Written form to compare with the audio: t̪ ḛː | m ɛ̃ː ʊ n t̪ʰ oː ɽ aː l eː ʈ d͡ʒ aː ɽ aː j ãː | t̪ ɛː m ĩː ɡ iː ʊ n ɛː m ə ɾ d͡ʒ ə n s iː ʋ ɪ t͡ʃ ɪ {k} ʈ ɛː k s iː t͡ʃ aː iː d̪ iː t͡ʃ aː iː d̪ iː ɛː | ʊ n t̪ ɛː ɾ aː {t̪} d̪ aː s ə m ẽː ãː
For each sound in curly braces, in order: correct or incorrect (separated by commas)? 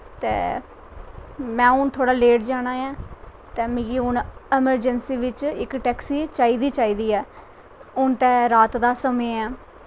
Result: correct, correct